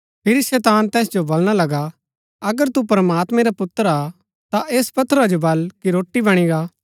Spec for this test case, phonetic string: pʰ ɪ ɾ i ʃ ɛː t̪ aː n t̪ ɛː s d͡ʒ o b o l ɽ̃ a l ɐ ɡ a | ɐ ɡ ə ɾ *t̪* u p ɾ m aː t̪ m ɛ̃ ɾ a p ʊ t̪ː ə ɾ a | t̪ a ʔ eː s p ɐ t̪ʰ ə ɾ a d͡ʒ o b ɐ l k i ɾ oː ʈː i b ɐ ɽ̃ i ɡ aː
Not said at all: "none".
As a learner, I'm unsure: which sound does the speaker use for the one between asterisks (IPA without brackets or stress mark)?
t̪